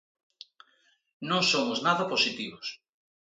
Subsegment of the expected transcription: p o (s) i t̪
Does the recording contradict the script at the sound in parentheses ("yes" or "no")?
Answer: no